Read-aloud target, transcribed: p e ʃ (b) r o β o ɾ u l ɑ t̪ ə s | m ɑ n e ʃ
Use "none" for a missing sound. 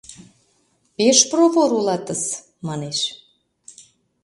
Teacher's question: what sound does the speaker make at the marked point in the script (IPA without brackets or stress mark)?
p